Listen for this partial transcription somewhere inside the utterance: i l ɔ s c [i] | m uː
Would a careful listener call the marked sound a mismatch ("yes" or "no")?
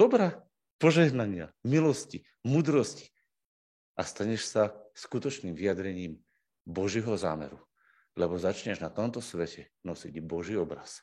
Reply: no